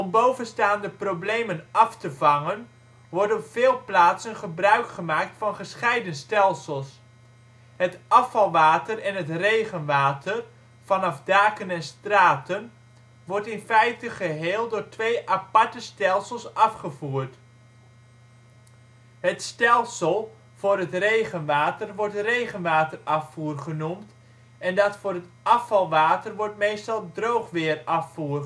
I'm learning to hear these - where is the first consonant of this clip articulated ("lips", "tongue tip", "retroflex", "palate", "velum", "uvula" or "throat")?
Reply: lips